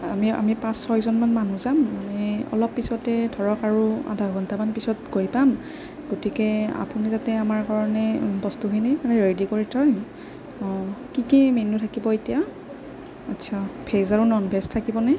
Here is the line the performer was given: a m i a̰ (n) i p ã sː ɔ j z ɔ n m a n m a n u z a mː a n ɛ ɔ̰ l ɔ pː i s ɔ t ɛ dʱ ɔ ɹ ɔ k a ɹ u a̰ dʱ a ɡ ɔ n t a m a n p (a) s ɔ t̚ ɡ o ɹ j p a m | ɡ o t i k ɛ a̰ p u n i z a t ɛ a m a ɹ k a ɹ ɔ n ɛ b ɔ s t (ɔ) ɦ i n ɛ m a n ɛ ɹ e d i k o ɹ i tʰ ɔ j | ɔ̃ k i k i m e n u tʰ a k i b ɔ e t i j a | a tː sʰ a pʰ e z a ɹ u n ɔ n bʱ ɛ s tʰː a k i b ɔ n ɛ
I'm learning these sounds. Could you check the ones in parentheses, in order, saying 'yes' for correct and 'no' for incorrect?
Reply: no, no, no

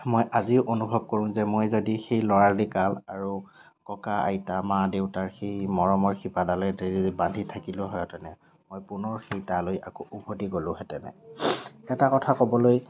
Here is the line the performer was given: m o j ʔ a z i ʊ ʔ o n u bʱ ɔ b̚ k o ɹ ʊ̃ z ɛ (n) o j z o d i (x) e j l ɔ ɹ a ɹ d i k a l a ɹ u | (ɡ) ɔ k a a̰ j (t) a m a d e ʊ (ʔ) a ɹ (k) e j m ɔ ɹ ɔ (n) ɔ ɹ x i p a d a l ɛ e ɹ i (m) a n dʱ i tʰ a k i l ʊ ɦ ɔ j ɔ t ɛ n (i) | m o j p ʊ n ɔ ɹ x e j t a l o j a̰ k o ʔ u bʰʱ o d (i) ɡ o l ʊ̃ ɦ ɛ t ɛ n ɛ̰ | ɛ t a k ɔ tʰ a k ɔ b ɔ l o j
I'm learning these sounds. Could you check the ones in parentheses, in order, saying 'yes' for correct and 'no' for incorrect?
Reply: no, yes, no, yes, no, no, no, no, no, yes

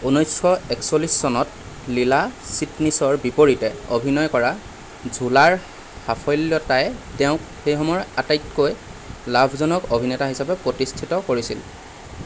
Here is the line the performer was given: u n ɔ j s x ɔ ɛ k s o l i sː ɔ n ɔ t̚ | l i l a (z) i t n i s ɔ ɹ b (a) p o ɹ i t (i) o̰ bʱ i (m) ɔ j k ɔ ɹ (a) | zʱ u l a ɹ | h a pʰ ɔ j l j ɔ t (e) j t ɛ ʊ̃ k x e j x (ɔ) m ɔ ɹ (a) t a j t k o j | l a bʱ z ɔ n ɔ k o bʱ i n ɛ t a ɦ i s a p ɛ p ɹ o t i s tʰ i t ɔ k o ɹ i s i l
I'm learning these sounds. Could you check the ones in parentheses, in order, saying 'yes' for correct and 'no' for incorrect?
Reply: no, no, no, no, yes, no, yes, yes

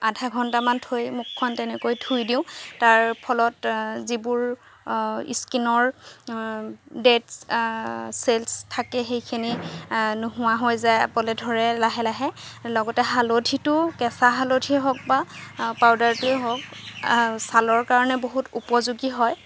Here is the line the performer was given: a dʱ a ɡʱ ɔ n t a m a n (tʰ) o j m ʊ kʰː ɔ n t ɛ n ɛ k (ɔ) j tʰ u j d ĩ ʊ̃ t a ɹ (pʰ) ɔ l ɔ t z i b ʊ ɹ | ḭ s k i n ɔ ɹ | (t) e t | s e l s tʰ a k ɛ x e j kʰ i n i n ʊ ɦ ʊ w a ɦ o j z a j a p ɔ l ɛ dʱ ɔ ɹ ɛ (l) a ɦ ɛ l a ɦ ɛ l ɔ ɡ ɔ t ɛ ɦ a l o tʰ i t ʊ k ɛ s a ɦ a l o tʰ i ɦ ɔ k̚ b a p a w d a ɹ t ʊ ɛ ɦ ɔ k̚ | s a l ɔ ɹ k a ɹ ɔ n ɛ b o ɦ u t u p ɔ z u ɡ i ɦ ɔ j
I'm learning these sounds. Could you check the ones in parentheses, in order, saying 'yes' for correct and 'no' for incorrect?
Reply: yes, no, yes, no, yes

